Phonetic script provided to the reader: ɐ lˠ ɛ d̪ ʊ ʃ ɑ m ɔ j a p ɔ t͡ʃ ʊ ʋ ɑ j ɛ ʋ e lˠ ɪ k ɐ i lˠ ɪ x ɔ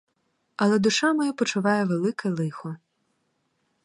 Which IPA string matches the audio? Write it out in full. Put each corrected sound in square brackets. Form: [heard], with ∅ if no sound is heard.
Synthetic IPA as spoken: ɐ lˠ ɛ d̪ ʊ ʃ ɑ m ɔ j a p ɔ t͡ʃ ʊ ʋ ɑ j ɛ ʋ e lˠ ɪ k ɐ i lˠ ɪ x ɔ